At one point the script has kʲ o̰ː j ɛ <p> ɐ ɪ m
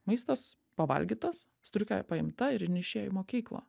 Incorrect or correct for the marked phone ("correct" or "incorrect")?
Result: correct